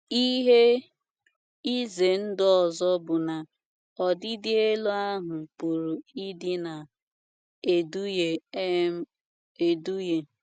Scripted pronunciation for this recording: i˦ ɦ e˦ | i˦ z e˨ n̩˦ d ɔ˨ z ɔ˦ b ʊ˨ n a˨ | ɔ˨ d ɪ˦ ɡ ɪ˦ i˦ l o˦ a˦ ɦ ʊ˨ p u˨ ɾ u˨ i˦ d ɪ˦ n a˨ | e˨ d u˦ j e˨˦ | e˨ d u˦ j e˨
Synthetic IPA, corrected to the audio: i˦ ɦ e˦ | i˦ z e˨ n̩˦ d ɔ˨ z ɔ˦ b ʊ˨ n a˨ | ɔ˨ d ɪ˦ d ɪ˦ e˦ l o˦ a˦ ɦ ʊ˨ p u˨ ɾ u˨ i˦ d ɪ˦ n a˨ | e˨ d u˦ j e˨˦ | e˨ d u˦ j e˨